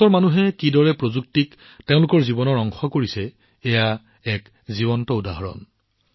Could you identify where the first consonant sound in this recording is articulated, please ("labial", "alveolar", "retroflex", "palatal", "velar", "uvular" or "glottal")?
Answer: alveolar